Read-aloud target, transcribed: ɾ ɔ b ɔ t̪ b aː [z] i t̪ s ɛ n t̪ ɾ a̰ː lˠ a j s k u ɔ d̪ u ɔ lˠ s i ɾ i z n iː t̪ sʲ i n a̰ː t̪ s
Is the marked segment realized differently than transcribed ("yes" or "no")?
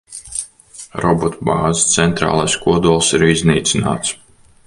no